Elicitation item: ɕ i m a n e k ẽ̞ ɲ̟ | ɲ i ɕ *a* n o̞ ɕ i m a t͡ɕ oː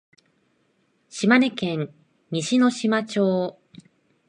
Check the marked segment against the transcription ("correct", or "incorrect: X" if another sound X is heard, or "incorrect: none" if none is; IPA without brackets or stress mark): incorrect: i